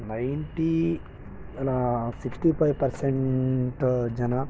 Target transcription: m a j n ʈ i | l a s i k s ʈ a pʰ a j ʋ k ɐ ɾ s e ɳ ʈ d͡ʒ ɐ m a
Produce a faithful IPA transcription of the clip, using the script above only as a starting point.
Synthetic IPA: n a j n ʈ i | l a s i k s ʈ i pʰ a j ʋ p ɐ ɾ s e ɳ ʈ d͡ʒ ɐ n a